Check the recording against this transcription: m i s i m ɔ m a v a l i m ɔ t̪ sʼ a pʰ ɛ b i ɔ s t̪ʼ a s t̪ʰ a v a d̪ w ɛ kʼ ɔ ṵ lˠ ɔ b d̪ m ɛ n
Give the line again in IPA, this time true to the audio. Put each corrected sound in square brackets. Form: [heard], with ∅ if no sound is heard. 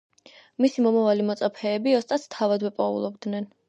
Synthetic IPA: m i s i m ɔ m a v a l i m ɔ t̪ sʼ a pʰ [ɛː] b i ɔ s t̪ʼ a s t̪ʰ a v a d̪ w ɛ [pʼ] ɔ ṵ lˠ ɔ b d̪ [n] ɛ n